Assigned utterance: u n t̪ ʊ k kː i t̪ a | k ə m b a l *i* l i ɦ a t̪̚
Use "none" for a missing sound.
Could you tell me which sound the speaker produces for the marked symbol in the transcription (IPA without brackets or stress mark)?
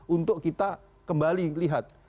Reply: i